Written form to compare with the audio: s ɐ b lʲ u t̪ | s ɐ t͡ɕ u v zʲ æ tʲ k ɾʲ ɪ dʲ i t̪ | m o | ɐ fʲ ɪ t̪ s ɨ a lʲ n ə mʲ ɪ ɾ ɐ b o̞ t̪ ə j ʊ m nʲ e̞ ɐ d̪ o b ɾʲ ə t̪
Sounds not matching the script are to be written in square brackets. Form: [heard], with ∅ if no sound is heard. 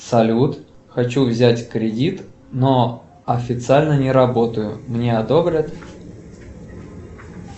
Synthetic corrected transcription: s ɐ [∅] lʲ u t̪ | [x] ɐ t͡ɕ u v zʲ æ tʲ k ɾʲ ɪ dʲ i t̪ | [n] o | ɐ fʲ ɪ t̪ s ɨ a lʲ n ə [nʲ] ɪ ɾ ɐ b o̞ t̪ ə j ʊ m nʲ e̞ ɐ d̪ o b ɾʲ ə t̪